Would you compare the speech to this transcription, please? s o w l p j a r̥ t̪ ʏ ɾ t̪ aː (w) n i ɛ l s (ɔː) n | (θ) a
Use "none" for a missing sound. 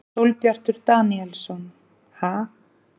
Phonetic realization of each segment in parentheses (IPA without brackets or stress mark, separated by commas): none, ɔ, h